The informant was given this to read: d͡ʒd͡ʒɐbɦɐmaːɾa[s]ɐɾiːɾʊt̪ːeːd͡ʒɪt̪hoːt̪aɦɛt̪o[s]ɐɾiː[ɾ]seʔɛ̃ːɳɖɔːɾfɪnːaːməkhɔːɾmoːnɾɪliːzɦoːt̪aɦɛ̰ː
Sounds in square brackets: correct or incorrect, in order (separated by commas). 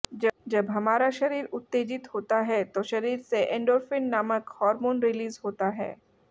incorrect, incorrect, correct